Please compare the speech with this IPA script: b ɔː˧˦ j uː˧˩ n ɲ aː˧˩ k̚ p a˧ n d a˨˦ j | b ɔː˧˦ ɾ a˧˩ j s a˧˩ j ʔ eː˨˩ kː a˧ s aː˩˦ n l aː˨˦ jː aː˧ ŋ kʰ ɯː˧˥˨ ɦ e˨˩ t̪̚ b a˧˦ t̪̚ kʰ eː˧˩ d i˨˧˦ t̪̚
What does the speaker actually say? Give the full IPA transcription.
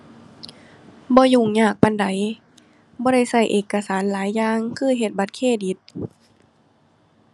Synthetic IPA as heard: b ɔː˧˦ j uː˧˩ ŋ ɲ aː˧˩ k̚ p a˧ n d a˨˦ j | b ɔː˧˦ ɾ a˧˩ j s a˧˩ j ʔ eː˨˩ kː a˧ s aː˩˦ n l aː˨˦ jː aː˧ ŋ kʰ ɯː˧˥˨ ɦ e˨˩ t̪̚ b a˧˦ t̪̚ kʰ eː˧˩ d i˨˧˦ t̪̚

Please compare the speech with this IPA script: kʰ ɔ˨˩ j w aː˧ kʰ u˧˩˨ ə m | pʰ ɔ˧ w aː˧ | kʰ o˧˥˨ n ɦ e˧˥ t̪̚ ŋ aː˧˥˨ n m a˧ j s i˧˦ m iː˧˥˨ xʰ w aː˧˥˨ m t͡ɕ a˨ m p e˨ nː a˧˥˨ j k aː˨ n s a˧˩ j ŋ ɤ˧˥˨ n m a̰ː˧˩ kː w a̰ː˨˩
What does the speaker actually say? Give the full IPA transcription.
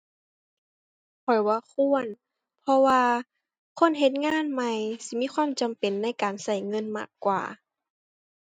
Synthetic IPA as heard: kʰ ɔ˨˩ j w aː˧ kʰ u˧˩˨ ə n | pʰ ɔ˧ w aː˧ | kʰ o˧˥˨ n ɦ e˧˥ t̪̚ ŋ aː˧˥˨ n m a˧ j s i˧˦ m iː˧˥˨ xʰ w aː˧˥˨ m t͡ɕ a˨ m p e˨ nː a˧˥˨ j k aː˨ n s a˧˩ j ŋ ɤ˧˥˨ n m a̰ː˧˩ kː w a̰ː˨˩

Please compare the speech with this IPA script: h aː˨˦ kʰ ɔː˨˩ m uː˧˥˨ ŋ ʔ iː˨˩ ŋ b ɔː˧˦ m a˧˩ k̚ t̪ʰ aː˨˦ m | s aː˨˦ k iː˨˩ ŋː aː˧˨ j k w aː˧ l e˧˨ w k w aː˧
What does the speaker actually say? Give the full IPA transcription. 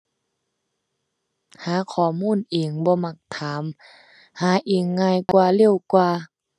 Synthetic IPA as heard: h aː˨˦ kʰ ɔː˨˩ m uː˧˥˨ n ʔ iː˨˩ ŋ b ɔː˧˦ m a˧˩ k̚ t̪ʰ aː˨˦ m | h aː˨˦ ʔ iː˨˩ ŋː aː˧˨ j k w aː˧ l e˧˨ w k w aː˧

